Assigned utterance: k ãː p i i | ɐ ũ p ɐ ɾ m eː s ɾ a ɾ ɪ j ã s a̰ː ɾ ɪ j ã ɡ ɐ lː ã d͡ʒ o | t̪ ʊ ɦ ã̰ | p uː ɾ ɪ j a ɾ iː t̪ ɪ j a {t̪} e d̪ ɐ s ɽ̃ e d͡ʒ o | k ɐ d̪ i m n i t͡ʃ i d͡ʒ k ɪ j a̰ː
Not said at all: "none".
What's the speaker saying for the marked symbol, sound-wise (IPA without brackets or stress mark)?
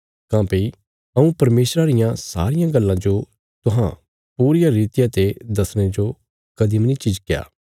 t̪